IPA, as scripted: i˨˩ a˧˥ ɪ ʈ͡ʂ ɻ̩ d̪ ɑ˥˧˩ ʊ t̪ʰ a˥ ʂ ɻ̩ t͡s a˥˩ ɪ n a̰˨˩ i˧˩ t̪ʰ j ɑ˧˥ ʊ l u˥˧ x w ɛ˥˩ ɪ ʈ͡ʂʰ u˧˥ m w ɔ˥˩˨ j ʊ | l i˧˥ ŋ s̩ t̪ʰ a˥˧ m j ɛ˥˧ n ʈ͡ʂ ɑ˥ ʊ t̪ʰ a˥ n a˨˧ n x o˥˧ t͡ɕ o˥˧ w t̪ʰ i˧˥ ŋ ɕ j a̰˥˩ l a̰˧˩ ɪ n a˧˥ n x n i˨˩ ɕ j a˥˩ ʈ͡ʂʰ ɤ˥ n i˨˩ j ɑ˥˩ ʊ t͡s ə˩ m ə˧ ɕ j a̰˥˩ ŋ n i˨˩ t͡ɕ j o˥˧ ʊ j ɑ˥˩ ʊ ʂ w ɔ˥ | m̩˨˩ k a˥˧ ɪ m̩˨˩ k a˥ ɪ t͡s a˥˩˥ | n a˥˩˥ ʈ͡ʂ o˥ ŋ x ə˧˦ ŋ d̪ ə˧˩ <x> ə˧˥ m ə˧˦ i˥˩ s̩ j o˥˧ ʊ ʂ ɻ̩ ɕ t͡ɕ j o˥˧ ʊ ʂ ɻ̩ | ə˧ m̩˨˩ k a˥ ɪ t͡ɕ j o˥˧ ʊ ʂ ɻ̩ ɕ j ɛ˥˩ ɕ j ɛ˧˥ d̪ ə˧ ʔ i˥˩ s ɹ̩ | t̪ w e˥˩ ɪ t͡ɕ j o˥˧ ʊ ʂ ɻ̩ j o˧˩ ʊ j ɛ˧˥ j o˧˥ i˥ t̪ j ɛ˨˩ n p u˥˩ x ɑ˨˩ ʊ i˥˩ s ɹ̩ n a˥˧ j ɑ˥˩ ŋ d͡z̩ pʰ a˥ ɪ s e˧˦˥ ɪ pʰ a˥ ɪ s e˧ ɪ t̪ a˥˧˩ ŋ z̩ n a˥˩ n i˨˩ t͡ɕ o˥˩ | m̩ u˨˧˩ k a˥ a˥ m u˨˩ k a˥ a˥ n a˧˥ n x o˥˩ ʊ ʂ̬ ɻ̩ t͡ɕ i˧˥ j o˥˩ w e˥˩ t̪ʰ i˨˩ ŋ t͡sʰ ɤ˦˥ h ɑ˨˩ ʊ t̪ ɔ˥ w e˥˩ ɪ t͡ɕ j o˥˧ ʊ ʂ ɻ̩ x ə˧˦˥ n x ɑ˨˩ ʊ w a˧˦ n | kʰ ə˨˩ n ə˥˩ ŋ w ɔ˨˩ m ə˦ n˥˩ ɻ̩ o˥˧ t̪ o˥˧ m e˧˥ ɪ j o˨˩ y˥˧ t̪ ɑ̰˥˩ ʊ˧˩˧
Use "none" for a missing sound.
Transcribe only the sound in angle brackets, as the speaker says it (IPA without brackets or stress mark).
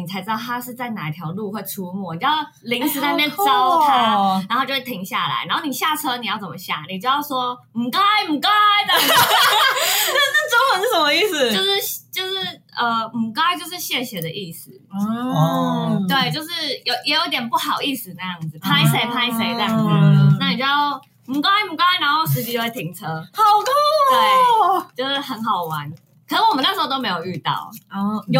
ʂ